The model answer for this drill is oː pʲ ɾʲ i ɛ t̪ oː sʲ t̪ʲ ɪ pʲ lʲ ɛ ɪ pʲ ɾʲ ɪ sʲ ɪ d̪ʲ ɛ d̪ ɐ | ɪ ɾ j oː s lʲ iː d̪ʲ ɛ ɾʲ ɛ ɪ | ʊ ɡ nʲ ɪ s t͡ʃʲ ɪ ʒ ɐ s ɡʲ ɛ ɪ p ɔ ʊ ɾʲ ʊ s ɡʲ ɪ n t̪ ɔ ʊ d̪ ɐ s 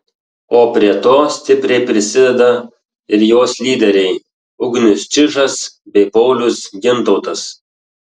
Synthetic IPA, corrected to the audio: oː pʲ ɾʲ i ɛ t̪ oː sʲ t̪ʲ ɪ pʲ ɾʲ ɛ ɪ pʲ ɾʲ ɪ sʲ ɪ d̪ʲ ɛ d̪ ɐ | ɪ ɾ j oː s lʲ iː d̪ʲ ɛ ɾʲ ɛ ɪ | ʊ ɡ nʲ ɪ s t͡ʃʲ ɪ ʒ ɐ s bʲ ɛ ɪ p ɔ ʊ lʲ ʊ s ɡʲ ɪ n t̪ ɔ ʊ t̪ ɐ s